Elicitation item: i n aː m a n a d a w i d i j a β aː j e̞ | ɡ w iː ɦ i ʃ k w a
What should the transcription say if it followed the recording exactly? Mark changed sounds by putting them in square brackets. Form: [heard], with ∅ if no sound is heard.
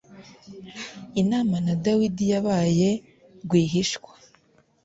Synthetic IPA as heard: i n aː m a n a d a w i d i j a β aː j e̞ | ɡ w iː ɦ i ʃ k w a